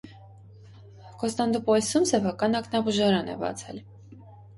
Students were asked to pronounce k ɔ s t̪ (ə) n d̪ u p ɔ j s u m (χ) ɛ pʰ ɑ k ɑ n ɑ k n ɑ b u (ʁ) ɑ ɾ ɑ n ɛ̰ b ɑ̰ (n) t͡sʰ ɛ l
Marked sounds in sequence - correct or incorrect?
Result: incorrect: ɑ, incorrect: s, incorrect: ʒ, incorrect: none

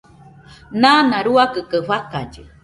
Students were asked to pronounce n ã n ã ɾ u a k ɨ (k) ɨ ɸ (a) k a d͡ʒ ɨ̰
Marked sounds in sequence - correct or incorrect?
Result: correct, correct

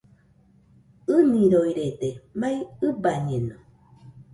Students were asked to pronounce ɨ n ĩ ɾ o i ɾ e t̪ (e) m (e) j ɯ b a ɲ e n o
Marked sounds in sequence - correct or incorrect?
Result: correct, incorrect: a

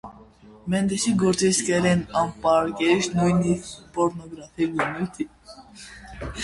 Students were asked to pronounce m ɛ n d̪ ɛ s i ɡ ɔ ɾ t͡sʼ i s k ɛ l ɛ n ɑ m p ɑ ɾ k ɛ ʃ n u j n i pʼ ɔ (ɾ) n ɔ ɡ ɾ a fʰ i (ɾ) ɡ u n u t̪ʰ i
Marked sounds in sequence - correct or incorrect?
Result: correct, incorrect: none

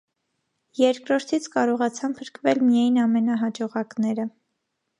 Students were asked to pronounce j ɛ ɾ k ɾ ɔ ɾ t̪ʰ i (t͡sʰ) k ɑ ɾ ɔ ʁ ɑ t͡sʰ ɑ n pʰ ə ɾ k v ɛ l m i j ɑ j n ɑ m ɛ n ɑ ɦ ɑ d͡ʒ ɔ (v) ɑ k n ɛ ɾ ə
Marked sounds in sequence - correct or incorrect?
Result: correct, incorrect: ʁ

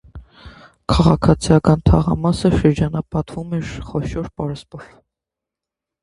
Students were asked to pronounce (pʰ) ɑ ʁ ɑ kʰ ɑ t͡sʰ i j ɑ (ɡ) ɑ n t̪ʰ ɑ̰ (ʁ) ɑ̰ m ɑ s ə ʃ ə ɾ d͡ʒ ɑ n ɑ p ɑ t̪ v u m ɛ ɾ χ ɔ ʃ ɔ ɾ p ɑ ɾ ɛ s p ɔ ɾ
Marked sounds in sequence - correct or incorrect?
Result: incorrect: kʰ, incorrect: k, correct

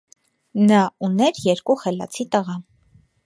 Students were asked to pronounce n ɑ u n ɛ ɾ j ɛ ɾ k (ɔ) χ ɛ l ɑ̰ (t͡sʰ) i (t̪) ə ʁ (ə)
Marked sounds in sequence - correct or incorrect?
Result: incorrect: u, correct, correct, incorrect: ɑ

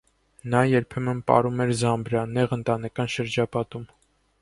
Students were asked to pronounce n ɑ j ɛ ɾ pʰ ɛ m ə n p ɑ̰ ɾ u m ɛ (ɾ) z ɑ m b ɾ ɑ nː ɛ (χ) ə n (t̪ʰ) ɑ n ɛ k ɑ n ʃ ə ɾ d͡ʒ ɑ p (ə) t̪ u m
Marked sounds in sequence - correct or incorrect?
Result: correct, incorrect: ʁ, incorrect: t̪, incorrect: ɑ

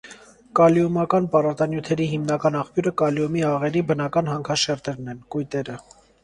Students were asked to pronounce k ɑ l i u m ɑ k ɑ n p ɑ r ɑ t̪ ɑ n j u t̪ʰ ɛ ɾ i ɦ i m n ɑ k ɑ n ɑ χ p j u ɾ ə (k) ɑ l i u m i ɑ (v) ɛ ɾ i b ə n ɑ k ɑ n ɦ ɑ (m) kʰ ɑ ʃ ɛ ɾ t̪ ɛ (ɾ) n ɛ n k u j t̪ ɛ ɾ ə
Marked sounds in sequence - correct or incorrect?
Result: correct, incorrect: ʁ, incorrect: ŋ, correct

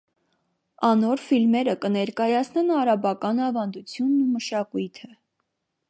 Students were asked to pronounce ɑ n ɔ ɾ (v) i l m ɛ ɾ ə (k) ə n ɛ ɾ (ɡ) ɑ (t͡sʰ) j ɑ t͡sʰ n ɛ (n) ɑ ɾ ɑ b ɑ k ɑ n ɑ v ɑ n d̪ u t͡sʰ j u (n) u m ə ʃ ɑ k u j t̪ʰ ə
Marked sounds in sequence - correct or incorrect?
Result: incorrect: f, correct, incorrect: k, incorrect: none, correct, incorrect: nː

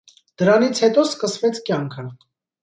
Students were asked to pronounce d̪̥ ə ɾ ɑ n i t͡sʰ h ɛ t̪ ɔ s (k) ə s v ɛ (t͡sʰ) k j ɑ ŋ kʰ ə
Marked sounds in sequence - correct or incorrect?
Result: correct, correct

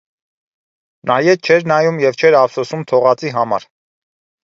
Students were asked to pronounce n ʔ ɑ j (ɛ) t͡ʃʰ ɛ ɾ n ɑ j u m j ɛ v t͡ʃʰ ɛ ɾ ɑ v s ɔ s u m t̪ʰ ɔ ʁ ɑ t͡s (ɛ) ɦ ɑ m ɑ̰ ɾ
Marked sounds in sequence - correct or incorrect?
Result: correct, incorrect: i

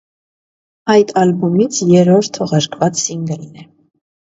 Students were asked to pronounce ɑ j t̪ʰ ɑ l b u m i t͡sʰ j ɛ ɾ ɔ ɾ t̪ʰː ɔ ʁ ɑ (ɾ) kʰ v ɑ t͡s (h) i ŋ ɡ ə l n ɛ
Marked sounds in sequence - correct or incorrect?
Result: correct, incorrect: s

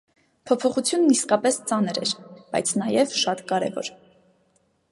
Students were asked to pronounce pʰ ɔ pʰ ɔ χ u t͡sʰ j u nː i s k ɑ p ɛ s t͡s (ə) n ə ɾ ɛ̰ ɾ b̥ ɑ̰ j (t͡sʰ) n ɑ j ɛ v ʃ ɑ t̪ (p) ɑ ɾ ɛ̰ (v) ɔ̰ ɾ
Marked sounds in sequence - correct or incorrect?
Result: incorrect: ɑ, correct, incorrect: k, correct

